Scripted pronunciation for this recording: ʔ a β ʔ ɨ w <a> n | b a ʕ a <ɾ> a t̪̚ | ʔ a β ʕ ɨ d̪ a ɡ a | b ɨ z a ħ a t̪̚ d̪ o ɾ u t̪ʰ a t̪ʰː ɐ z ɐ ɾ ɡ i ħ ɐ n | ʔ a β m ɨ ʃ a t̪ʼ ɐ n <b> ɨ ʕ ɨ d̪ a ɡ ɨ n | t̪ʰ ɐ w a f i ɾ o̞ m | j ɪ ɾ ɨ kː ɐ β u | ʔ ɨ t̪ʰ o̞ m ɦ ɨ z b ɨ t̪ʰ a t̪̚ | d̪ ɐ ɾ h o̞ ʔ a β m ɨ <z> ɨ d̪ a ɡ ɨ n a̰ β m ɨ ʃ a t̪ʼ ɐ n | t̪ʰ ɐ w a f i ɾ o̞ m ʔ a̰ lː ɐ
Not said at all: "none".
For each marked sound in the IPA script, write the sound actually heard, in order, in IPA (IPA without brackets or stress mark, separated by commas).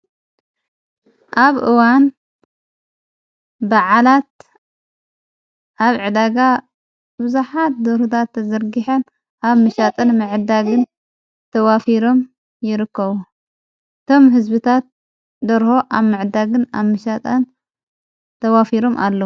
a, l, m, ʕ